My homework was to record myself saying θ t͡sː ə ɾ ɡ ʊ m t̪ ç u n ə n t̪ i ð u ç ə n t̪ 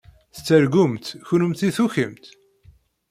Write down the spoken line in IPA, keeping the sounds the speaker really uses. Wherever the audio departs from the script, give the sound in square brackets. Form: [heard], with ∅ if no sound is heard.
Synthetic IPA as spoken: θ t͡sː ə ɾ ɡ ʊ m t̪ ç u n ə [m] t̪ i [θ] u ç ə [m] t̪